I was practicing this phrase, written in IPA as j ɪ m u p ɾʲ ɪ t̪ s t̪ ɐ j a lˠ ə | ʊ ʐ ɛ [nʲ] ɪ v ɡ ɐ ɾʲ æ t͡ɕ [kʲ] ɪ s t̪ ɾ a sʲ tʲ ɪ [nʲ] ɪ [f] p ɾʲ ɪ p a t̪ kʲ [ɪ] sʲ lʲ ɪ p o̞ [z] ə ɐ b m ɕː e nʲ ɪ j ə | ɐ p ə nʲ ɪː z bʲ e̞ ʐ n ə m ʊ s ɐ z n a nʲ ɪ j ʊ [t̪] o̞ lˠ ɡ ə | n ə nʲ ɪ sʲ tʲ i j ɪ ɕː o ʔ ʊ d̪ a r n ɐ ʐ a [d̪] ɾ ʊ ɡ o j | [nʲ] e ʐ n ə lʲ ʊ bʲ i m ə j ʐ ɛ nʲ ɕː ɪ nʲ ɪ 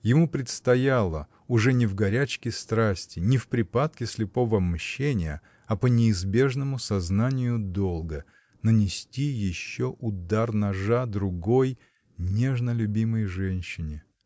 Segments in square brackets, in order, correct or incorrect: correct, correct, correct, correct, correct, incorrect: v, incorrect: d̪, correct, correct

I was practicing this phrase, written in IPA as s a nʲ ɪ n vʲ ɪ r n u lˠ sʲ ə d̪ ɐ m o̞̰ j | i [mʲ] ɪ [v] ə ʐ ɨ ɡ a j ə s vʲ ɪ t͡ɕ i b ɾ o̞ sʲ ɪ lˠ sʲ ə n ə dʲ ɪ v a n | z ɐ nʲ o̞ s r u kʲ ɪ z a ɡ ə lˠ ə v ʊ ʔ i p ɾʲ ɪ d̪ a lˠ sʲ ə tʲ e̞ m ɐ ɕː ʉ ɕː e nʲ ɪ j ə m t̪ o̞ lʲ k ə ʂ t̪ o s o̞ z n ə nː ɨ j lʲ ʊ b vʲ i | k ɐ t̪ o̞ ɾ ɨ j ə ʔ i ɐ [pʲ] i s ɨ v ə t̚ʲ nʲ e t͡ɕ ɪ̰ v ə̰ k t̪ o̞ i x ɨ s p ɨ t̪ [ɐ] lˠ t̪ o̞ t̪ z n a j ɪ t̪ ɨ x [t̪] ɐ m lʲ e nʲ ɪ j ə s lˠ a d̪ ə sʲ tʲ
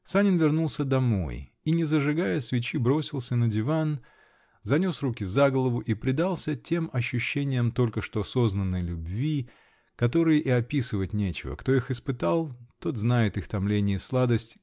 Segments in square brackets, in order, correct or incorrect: incorrect: nʲ, incorrect: z, correct, incorrect: a, correct

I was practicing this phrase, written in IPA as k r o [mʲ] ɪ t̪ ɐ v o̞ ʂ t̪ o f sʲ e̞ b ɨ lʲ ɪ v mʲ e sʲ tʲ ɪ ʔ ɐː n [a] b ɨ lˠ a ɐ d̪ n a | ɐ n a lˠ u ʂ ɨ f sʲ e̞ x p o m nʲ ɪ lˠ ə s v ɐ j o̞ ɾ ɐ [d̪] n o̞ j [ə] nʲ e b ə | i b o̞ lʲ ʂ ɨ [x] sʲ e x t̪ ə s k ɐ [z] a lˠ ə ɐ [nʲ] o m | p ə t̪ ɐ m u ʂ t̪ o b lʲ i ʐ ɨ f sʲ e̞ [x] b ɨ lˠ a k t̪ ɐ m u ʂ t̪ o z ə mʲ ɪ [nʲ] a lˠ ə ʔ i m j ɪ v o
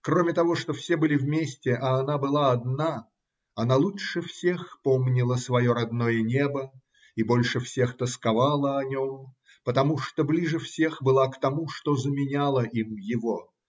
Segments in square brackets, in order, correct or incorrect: correct, correct, correct, correct, incorrect: f, incorrect: v, correct, correct, correct

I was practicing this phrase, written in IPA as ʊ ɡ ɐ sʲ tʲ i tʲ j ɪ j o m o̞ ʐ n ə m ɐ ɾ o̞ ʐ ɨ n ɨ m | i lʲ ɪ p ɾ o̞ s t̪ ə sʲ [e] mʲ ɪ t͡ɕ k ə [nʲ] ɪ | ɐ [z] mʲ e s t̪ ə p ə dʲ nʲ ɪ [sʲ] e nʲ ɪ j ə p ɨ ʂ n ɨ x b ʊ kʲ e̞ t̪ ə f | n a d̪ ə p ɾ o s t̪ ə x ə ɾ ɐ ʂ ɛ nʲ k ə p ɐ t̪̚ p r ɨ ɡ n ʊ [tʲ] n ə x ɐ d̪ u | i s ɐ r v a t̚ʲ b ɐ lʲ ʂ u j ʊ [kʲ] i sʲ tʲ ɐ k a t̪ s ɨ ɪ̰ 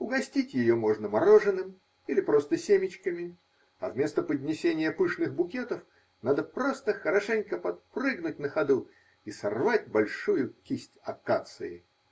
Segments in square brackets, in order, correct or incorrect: correct, incorrect: mʲ, incorrect: v, correct, correct, correct

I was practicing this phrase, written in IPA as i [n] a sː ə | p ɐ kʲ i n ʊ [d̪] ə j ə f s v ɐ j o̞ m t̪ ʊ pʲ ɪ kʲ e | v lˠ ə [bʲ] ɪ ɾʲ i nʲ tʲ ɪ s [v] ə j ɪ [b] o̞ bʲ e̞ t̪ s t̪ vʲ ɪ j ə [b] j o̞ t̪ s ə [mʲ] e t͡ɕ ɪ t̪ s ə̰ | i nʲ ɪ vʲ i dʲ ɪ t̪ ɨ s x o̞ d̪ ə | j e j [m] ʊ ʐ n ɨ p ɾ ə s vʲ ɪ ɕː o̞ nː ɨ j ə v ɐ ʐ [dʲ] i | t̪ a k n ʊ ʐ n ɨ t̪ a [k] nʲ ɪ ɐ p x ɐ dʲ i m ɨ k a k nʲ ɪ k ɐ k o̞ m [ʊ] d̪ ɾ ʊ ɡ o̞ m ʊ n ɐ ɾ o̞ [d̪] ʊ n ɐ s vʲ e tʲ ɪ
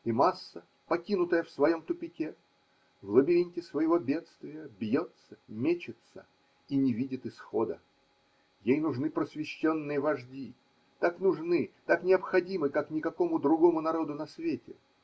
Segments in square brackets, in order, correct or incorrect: incorrect: m, incorrect: t̪, correct, correct, incorrect: v, correct, correct, incorrect: n, correct, correct, correct, correct

